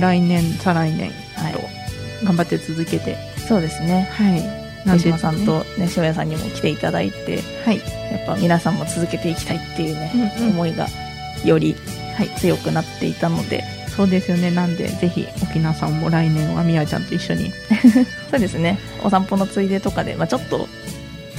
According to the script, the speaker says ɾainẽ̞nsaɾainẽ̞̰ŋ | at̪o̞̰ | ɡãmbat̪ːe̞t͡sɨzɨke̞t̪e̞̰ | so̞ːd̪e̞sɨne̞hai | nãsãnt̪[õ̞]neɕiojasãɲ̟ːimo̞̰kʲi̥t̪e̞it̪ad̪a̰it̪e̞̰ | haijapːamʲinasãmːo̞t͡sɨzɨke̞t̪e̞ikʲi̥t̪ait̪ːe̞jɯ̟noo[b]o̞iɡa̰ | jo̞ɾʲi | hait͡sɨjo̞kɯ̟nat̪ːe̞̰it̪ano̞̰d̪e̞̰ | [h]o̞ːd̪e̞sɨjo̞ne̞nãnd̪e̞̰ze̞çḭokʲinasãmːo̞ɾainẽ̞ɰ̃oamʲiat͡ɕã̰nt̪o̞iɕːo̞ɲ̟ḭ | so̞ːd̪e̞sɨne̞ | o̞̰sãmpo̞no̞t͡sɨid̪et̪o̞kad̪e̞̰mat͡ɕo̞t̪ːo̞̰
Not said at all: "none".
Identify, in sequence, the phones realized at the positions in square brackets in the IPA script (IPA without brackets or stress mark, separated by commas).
o̞, m, s